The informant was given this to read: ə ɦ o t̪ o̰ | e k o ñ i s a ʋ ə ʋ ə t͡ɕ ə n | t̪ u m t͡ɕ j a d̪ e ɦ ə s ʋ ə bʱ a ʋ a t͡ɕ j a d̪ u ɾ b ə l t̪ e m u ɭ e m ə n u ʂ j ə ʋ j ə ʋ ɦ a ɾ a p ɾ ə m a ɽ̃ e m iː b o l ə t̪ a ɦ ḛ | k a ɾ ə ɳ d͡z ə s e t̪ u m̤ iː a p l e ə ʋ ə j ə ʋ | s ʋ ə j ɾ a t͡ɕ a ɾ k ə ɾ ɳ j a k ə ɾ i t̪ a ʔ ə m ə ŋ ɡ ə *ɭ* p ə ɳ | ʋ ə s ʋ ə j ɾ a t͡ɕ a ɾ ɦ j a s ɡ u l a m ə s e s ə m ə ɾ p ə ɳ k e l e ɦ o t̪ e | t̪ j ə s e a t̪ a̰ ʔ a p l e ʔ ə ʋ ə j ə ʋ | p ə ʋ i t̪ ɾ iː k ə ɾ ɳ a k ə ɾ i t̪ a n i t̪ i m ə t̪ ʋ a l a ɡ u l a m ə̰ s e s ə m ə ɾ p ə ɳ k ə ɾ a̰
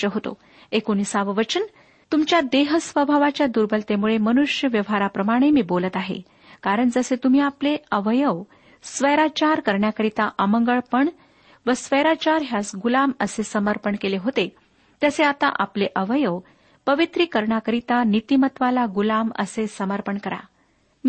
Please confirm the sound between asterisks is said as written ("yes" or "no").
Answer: yes